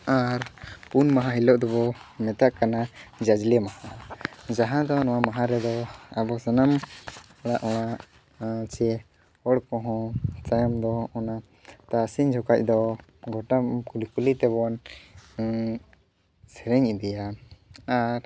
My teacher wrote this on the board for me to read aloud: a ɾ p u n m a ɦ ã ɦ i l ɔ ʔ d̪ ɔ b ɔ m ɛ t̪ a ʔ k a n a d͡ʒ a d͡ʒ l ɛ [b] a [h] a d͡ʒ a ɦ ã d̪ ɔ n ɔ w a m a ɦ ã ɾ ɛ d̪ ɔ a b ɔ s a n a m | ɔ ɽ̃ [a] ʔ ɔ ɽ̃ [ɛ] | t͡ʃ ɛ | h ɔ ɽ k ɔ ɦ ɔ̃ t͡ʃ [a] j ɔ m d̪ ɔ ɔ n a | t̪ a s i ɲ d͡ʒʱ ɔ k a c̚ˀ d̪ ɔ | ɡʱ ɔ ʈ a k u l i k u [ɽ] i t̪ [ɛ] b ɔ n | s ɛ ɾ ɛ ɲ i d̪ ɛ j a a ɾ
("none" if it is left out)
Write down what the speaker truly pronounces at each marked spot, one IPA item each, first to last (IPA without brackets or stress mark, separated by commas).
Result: m, h, a, a, a, l, ɛ